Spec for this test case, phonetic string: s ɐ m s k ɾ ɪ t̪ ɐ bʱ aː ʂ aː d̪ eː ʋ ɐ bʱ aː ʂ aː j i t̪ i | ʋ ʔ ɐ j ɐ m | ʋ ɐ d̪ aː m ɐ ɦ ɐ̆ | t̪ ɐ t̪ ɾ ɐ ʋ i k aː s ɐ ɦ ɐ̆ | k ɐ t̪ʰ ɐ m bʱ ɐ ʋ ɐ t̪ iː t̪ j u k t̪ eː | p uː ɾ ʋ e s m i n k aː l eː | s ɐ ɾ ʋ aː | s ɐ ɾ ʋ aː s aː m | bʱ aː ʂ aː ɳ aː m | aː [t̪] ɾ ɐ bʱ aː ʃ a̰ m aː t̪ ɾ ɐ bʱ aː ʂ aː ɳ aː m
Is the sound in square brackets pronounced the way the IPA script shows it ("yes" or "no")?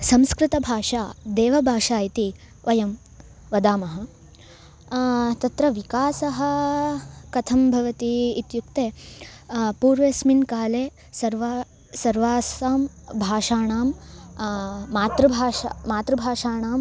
yes